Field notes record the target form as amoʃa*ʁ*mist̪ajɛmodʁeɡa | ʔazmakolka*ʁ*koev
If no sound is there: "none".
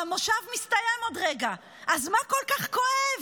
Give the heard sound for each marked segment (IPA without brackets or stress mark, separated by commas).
v, χ